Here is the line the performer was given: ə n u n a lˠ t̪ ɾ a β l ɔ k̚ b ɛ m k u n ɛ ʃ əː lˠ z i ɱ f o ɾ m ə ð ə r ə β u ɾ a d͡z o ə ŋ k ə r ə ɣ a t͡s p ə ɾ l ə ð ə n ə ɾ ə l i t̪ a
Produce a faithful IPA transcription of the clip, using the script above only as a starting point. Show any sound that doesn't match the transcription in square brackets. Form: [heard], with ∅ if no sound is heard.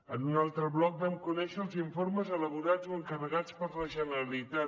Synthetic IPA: ə n u n a lˠ t̪ ɾ [ə] β l ɔ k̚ b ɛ m k u n ɛ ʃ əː lˠ z i ɱ f o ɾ m ə [z] ə [l] ə β u ɾ a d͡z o ə ŋ k ə r ə ɣ a t͡s p ə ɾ l ə [ʒ] ə n ə ɾ ə l i t̪ a

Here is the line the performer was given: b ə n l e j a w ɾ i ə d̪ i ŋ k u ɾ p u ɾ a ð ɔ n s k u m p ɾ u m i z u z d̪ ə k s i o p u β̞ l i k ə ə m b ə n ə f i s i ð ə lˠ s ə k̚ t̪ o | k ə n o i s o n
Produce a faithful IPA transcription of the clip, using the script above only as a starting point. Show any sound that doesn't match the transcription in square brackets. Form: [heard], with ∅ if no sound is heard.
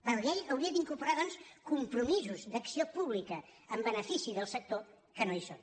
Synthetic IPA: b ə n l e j [ə] w ɾ i ə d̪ i ŋ k u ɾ p u ɾ a ð ɔ n s k u m p ɾ u m i z u z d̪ ə k s i o p u β̞ l i k ə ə m b ə n ə f i s i ð ə lˠ s ə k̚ t̪ o | k ə n o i s o n

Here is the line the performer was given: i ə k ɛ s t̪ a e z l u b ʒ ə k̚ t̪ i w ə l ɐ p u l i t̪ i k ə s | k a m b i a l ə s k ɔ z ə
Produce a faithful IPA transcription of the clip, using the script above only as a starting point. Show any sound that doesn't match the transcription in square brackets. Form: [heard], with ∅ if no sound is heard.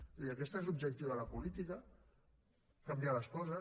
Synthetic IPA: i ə k ɛ s t̪ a e z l u b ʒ ə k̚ t̪ i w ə l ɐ p u l i t̪ i k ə [∅] | k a m b i a l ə s k ɔ z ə

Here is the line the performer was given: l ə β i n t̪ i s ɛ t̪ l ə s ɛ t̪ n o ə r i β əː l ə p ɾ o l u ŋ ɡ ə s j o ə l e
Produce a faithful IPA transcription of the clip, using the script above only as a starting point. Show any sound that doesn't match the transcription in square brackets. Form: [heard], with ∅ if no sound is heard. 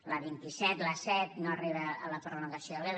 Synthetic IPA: l ə β i n t̪ i s ɛ t̪ l ə s ɛ t̪ n o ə r i β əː l ə p ɾ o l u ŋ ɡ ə s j o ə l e

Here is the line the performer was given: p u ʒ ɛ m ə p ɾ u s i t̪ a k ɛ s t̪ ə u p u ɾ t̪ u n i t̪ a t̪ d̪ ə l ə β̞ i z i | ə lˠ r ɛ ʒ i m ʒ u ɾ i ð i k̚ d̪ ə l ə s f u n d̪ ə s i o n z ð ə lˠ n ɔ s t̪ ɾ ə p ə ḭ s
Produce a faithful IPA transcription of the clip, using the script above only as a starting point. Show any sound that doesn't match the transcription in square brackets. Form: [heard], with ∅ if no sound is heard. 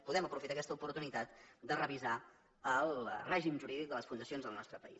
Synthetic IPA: p u [ð] ɛ m ə p ɾ u [f] i t̪ a k ɛ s t̪ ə u p u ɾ t̪ u n i t̪ a t̪ d̪ ə [r] ə β̞ i z [a] | ə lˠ r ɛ ʒ i m ʒ u ɾ i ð i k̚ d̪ ə l ə s f u n d̪ ə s i o n z ð ə lˠ n ɔ s t̪ ɾ ə p ə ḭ s

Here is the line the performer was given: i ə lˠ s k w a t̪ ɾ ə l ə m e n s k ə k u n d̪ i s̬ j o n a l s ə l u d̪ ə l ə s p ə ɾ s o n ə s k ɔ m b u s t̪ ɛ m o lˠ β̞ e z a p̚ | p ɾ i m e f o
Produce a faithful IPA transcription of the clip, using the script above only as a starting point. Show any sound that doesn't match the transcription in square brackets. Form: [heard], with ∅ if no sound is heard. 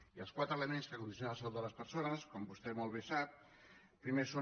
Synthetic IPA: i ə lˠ s k w a t̪ ɾ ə l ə m e n s k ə k u n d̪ i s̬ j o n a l s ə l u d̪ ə l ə s p ə ɾ s o n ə s k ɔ m b u s t̪ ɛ m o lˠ β̞ e [s] a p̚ | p ɾ i m e [s] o

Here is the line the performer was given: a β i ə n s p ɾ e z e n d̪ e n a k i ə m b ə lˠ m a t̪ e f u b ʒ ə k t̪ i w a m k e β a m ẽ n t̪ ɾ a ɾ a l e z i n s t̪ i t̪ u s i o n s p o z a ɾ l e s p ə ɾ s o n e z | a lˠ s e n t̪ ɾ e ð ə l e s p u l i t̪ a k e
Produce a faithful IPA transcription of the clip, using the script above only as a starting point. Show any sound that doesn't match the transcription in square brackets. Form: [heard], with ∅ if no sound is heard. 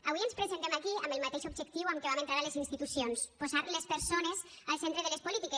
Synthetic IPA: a β i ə n s p ɾ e z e n [t̪] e [m] a k i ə m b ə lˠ m a t̪ e [ʃ] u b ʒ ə k t̪ i w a m k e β a m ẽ n t̪ ɾ a ɾ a l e z i n s t̪ i t̪ u s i o n s p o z a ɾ l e s p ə ɾ s o n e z | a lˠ s e n t̪ ɾ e ð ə l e s p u l i t̪ [i] k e

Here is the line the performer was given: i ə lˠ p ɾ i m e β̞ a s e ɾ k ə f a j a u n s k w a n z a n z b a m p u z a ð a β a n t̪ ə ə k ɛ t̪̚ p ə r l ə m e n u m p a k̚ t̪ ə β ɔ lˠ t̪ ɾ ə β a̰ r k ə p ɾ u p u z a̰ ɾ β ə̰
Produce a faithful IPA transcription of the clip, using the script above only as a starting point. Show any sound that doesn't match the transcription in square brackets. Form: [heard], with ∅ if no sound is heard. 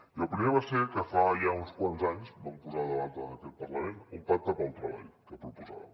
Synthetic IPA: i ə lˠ p ɾ i m e β̞ a s e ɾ k ə f a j a u n s k w a n z a [ɲ] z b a m p u z a ð [ə] β a n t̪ ə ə k ɛ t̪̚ p ə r l ə m e n u m p a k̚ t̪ ə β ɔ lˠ t̪ ɾ ə β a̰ [ʎ] k ə p ɾ u p u z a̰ [∅] β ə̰

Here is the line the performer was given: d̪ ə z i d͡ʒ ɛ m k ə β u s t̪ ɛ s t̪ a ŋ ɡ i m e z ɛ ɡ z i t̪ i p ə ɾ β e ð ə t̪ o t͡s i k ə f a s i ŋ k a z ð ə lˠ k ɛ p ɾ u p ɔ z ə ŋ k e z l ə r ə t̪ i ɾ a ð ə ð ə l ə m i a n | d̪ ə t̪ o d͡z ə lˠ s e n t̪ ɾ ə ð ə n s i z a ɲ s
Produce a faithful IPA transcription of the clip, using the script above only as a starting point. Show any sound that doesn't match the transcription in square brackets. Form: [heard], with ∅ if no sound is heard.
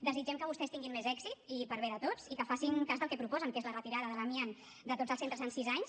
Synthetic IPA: d̪ ə z i d͡ʒ ɛ m k ə β u s t̪ ɛ s t̪ [i] ŋ ɡ i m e z ɛ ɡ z i t̪ i p ə ɾ β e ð ə t̪ o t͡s i k ə f a s i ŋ k a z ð ə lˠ k ɛ p ɾ u p ɔ z ə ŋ k e z l ə r ə t̪ i ɾ a ð ə ð ə l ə m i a n | d̪ ə t̪ o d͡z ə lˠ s e n t̪ ɾ ə [z] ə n s i z a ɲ s

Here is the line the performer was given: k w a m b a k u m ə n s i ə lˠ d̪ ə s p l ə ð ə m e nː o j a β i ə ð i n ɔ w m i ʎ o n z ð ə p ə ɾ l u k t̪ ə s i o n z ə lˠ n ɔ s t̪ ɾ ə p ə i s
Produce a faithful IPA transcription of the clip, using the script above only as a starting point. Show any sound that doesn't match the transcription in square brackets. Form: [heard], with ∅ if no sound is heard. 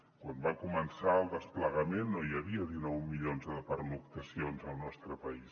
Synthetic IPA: k w a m b a k u m ə n s [a] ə lˠ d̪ ə s p l ə [ɣ] ə m e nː o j [ə] β i ə ð i n ɔ w m i ʎ o n z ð ə p ə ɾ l u k t̪ ə s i o n z ə lˠ n ɔ s t̪ ɾ ə p ə i s

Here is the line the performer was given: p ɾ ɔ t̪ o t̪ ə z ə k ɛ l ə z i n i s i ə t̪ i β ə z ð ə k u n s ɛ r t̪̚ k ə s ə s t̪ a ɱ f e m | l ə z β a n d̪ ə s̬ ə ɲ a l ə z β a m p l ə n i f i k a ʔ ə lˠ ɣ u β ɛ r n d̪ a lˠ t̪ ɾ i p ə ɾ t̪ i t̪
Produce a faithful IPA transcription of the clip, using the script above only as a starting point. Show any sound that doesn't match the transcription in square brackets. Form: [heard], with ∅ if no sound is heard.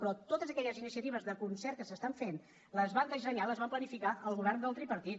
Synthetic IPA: p ɾ ɔ t̪ o t̪ ə z ə k ɛ [ʎ] ə z i n i s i ə t̪ i β ə z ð ə k u n s ɛ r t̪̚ k ə s ə s t̪ a ɱ f e [n] | l ə z β a n d̪ ə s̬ ə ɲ a l ə z β a m p l ə n i f i k a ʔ ə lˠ ɣ u β ɛ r n d̪ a lˠ t̪ ɾ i p ə ɾ t̪ i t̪

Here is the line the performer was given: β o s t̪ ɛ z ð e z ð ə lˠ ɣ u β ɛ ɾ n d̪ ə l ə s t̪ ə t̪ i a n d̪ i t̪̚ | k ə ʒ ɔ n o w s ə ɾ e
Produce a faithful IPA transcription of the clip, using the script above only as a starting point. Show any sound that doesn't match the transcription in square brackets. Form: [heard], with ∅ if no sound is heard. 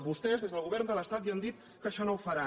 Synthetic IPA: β [u] s t̪ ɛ z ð e z ð ə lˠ ɣ u β ɛ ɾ n d̪ ə l ə s t̪ [a] t̪ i a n d̪ i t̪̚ | k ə [ʃ] ɔ n o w [f] ə ɾ [a]

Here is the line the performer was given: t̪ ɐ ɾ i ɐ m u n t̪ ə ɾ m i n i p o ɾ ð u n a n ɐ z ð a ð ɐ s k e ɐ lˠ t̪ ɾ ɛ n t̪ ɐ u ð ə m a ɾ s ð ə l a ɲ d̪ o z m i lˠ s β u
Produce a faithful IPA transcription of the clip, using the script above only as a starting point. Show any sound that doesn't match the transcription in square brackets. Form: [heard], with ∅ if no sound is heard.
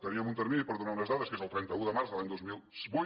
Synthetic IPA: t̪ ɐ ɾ i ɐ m u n t̪ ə ɾ m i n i p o ɾ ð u n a n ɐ z ð a ð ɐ s k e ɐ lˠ t̪ ɾ ɛ n t̪ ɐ u ð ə m a ɾ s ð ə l a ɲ d̪ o z m i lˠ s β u

